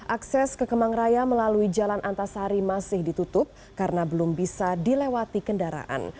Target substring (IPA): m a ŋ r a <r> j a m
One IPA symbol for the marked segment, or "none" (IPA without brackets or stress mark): none